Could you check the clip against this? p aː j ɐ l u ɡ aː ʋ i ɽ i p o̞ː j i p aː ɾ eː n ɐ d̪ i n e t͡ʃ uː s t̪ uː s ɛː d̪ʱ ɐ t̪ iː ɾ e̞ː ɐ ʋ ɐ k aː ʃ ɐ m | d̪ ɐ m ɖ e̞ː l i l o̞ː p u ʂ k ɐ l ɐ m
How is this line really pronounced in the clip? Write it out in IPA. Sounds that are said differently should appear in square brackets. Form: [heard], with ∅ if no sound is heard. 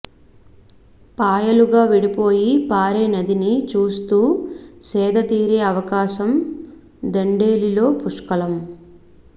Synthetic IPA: p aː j ɐ l u ɡ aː ʋ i ɽ i p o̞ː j i p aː ɾ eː n ɐ d̪ i n [i] t͡ʃ uː s t̪ uː s ɛː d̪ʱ ɐ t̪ iː ɾ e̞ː ɐ ʋ ɐ k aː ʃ ɐ m | d̪ ɐ [ɳ] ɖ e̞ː l i l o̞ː p u ʂ k ɐ l ɐ m